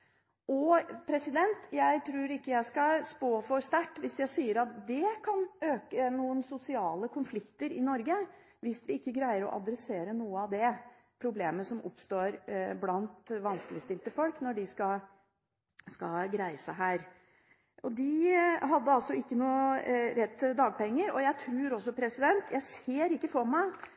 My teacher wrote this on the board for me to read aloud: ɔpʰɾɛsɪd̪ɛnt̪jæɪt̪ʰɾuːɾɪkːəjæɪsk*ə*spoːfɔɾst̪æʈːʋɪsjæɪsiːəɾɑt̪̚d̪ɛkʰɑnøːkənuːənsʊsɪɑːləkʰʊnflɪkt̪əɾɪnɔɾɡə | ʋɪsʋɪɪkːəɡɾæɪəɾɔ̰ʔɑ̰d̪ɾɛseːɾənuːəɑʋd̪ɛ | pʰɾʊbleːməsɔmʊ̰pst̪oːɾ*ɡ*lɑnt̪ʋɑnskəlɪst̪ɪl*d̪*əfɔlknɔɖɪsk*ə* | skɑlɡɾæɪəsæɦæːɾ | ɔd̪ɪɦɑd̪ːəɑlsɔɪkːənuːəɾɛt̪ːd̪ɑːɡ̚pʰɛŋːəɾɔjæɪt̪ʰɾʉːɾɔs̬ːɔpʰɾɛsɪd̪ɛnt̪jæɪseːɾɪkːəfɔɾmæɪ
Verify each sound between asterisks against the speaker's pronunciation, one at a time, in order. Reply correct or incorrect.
incorrect: ɑ, incorrect: b, incorrect: t̪, incorrect: ɑ

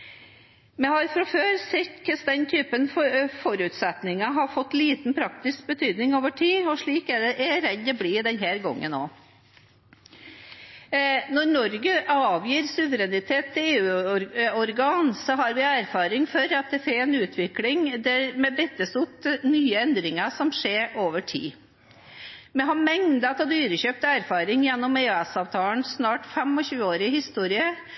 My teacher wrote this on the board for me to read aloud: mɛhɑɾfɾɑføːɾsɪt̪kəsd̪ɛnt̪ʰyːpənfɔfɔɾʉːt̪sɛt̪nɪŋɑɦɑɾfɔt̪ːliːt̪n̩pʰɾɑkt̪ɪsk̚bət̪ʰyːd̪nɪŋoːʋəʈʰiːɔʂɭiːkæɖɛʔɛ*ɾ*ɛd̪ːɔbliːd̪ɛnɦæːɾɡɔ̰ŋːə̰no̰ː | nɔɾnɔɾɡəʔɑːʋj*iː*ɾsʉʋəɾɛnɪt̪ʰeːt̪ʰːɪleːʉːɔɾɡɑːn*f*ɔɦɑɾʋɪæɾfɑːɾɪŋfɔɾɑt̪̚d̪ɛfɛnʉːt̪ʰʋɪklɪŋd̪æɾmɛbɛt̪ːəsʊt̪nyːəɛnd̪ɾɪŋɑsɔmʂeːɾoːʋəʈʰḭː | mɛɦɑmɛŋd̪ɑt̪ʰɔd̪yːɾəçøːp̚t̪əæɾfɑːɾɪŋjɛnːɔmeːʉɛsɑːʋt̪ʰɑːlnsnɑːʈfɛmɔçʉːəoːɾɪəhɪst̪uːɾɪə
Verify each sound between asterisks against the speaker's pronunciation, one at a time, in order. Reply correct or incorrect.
correct, correct, incorrect: s

